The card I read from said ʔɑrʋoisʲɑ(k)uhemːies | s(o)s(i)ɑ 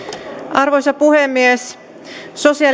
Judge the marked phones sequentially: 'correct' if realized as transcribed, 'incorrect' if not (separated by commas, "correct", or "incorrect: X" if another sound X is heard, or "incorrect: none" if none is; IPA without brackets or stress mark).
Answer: incorrect: p, correct, correct